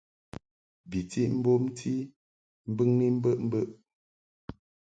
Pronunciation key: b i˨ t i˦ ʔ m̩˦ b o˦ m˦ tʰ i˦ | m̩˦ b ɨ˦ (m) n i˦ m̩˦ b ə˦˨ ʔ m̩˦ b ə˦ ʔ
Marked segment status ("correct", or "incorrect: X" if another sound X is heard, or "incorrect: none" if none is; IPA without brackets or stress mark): incorrect: ŋ